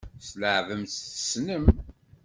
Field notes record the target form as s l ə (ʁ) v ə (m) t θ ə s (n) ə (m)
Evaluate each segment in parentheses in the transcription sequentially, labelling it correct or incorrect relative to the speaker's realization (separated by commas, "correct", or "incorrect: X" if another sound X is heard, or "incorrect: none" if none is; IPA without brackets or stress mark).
incorrect: ʕ, correct, correct, correct